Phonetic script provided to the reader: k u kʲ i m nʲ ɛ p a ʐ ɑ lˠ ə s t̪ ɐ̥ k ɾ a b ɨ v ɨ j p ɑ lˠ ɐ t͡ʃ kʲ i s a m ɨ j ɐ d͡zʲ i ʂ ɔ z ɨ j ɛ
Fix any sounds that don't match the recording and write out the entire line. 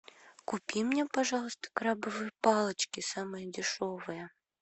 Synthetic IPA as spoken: k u pʲ i m nʲ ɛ p a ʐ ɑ lˠ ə s t̪ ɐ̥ k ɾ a b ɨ v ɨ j p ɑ lˠ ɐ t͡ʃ kʲ i s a m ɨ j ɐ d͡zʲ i ʂ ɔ v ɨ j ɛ